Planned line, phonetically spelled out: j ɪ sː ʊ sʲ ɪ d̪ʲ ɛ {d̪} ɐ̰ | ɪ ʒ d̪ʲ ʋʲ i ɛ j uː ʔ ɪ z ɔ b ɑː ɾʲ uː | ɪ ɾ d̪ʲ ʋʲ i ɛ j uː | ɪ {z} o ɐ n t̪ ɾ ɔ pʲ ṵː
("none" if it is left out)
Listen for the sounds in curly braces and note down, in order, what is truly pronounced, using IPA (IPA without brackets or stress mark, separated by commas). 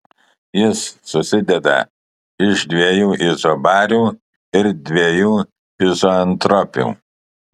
d̪, z